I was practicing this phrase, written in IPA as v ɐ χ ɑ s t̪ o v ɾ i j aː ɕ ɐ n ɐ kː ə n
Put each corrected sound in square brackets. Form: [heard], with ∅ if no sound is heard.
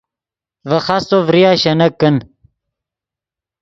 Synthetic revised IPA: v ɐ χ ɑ s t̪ o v ɾ i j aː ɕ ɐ n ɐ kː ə n